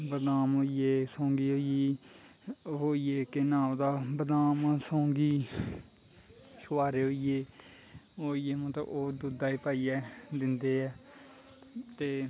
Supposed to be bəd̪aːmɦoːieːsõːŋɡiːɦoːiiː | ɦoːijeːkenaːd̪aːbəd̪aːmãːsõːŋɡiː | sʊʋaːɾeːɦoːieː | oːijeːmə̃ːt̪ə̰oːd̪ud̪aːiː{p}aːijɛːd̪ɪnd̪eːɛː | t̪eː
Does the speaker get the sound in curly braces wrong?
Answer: no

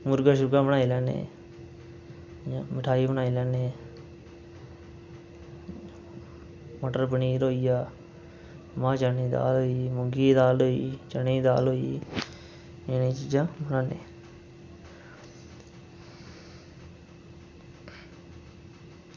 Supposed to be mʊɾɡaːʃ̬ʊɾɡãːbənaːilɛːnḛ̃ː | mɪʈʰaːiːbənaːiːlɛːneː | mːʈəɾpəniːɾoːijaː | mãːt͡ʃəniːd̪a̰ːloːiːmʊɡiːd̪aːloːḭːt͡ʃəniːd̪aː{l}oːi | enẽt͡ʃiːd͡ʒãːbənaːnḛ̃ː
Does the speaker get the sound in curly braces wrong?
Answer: no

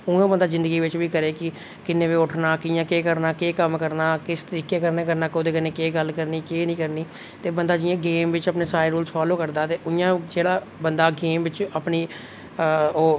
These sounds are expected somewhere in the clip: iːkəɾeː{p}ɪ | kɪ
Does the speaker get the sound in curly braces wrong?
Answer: yes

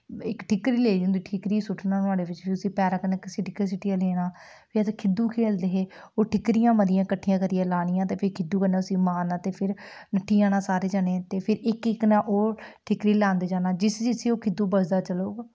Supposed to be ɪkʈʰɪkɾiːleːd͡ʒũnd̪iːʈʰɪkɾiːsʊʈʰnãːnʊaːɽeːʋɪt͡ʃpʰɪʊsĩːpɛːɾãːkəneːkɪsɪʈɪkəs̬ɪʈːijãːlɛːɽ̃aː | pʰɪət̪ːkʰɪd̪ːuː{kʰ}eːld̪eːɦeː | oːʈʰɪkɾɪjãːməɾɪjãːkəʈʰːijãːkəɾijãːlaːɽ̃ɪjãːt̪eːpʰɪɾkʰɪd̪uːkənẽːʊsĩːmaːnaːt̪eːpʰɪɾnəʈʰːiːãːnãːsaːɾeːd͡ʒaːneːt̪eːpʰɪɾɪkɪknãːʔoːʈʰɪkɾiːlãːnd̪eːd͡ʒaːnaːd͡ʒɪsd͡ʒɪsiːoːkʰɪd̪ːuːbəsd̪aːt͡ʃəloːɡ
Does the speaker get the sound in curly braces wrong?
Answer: no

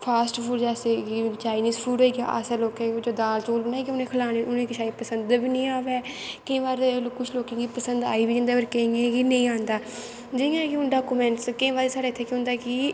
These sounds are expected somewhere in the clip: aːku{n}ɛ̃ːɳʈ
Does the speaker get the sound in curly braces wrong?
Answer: yes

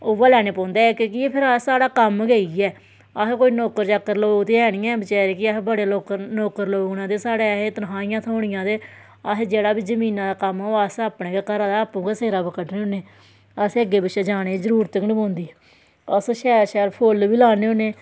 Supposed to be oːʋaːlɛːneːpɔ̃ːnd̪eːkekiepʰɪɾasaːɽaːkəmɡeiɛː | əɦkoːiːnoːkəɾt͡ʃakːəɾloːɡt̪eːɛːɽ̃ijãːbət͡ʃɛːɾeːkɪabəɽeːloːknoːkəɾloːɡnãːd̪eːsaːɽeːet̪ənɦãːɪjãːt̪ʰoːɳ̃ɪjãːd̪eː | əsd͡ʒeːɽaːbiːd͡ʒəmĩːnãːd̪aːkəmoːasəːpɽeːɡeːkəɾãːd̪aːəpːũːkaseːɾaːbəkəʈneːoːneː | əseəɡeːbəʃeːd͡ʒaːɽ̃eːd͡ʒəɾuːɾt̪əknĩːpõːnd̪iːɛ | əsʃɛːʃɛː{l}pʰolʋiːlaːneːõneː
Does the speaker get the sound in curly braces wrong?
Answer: yes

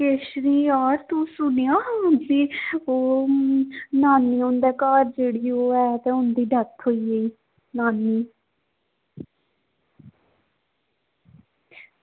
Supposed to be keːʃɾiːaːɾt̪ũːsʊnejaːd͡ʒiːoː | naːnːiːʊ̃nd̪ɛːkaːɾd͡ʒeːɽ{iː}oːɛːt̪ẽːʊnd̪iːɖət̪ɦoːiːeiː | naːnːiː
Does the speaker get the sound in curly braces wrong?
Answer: no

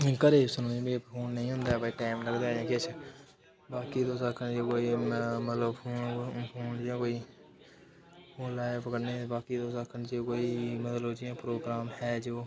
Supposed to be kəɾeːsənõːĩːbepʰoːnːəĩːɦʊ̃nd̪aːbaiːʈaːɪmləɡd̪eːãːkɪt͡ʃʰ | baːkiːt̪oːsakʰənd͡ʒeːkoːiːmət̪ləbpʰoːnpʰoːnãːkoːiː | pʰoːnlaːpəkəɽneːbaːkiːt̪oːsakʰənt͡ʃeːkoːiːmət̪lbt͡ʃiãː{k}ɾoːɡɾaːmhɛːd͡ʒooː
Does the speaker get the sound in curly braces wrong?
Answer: yes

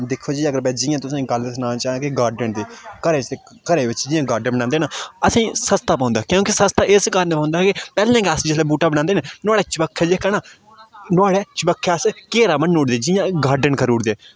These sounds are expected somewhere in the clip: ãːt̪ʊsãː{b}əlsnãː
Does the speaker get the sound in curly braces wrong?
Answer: yes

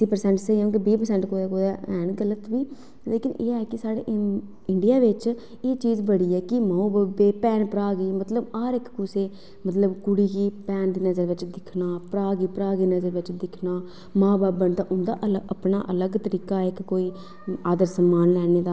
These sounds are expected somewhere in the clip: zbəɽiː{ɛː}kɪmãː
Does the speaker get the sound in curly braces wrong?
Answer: no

